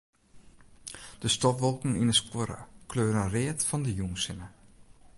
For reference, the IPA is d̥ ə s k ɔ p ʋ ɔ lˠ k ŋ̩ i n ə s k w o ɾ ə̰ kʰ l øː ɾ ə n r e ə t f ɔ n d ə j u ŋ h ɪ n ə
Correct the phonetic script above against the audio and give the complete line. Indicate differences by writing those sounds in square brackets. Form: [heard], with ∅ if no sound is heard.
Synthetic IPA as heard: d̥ ə s [t] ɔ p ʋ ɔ lˠ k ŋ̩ i n ə s k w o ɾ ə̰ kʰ l øː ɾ ə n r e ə t f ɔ n d ə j u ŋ [s] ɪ n ə